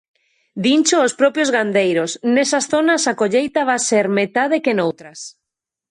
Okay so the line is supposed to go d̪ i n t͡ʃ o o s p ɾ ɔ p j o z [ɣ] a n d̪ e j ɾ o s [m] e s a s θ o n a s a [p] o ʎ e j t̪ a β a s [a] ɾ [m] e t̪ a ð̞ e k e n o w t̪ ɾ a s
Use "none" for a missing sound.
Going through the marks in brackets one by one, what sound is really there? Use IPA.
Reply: ɣ, n, k, e, m

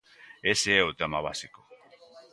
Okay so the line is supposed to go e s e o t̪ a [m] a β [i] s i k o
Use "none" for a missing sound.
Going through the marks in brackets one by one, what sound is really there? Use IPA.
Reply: m, a

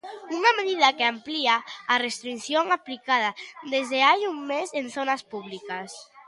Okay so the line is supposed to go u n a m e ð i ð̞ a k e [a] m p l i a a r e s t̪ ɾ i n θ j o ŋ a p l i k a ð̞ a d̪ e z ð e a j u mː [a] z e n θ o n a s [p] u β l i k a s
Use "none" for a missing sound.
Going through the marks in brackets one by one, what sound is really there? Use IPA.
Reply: a, e, p

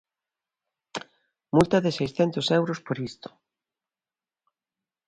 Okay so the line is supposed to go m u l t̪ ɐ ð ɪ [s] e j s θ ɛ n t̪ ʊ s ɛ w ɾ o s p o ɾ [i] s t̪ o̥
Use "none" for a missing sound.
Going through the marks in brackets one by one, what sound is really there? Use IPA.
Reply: s, i

